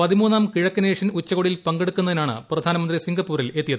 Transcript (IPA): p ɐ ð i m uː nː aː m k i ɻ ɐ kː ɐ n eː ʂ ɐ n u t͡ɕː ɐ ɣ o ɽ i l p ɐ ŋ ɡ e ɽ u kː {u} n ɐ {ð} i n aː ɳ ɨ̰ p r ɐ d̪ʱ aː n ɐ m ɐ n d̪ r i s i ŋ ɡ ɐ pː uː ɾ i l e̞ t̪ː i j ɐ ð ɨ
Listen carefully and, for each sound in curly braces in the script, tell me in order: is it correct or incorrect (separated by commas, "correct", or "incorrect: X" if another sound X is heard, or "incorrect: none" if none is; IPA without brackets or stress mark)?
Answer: correct, correct